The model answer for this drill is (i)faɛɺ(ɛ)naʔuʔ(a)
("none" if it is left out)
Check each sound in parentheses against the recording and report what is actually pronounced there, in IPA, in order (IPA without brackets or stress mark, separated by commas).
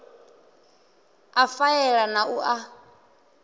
a, a, a